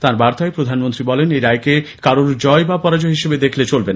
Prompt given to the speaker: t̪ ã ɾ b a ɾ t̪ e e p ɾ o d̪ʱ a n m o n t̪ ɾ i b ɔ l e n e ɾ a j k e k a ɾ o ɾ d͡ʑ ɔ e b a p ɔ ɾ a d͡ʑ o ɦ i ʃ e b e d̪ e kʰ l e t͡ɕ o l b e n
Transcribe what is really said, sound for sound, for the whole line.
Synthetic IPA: t̪ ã ɾ b a ɾ t̪ a e p ɾ o d̪ʱ a n m o n t̪ ɾ i b ɔ l e n e ɾ a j k e k a ɾ o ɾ d͡ʑ ɔ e b a p ɔ ɾ a d͡ʑ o ɦ i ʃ e b e d̪ e kʰ l e t͡ɕ o l b e n